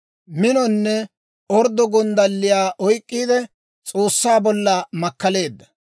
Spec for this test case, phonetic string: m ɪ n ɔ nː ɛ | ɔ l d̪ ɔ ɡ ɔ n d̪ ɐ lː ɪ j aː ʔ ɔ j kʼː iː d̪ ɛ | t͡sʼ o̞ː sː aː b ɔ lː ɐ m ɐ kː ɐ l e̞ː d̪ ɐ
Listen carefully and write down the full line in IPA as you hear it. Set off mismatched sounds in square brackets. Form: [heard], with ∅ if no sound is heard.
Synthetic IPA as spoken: m ɪ n ɔ nː ɛ | ɔ [ɾ] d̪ ɔ ɡ ɔ n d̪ ɐ lː ɪ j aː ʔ ɔ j kʼː iː d̪ ɛ | t͡sʼ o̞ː sː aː b ɔ lː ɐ m ɐ kː ɐ l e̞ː [d̪ː] ɐ